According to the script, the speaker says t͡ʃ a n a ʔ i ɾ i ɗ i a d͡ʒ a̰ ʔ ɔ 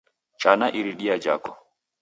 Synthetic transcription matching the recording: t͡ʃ a n a ʔ i ɾ i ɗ i a d͡ʒ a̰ k ɔ